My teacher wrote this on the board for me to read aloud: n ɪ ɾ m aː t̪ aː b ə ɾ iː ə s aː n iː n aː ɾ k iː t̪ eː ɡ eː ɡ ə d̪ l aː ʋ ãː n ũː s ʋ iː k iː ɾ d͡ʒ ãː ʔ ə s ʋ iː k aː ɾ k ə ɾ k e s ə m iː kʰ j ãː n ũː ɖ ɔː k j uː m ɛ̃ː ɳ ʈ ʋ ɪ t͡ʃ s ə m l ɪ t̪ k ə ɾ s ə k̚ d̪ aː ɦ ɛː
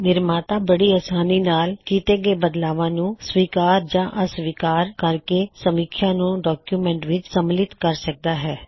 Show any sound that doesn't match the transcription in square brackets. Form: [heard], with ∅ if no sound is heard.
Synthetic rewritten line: n ɪ ɾ m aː t̪ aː b ə [ɽ] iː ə s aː n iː n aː [l] k iː t̪ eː ɡ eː [b] ə d̪ l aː ʋ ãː n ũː s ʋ iː k [aː] ɾ d͡ʒ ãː ʔ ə s ʋ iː k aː ɾ k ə ɾ k e s ə m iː kʰ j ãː n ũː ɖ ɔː k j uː m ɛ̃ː ɳ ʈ ʋ ɪ t͡ʃ s ə m l ɪ t̪ k ə ɾ s ə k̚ d̪ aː ɦ ɛː